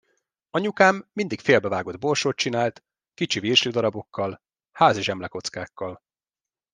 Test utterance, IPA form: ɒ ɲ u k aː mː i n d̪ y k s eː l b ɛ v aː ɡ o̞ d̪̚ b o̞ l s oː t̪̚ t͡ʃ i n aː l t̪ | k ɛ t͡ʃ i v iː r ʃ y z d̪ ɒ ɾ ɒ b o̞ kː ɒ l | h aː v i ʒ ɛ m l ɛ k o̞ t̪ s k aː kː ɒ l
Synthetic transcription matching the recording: ɒ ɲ u k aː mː i n d̪ i k f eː l b ɛ v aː ɡ o̞ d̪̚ b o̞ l ʃ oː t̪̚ t͡ʃ i n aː l t̪ | k i t͡ʃ i v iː r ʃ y d̪ ɒ ɾ ɒ b o̞ kː ɒ l | h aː z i ʒ ɛ m l ɛ k o̞ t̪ s k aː kː ɒ l